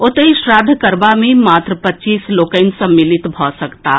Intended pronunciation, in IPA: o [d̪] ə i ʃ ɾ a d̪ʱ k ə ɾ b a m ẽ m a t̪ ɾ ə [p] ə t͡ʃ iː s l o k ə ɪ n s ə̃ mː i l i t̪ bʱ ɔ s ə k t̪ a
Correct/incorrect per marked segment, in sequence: incorrect, correct

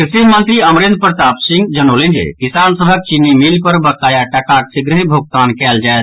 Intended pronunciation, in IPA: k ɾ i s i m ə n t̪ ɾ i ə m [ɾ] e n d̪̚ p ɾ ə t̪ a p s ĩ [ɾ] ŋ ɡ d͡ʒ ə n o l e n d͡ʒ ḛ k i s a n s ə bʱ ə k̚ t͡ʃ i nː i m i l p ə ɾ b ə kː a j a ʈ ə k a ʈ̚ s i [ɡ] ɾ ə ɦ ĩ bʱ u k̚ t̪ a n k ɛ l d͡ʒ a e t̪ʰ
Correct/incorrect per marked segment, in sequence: correct, incorrect, correct

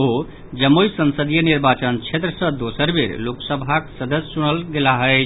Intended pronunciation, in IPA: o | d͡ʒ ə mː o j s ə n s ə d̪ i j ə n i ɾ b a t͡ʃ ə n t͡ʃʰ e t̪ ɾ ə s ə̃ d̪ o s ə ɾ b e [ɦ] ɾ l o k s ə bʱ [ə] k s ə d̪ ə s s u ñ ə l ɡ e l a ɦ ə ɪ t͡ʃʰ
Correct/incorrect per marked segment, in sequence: incorrect, incorrect

